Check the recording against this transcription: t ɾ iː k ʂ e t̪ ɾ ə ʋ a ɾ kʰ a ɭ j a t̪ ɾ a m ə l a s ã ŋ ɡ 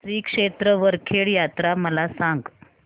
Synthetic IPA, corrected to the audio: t ɾ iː k ʂ e t̪ ɾ ə ʋ ə ɾ kʰ e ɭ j a t̪ ɾ a m ə l a s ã ŋ ɡ